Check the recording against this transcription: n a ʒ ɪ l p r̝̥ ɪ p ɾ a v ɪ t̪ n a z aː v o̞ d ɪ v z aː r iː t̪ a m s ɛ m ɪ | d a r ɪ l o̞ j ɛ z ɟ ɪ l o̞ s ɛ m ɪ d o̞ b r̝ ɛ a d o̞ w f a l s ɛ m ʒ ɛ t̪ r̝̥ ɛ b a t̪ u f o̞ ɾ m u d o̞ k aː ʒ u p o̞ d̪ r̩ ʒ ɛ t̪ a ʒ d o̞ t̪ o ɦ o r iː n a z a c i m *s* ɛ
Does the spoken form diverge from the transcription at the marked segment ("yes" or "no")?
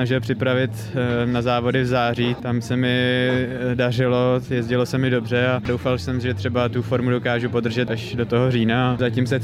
no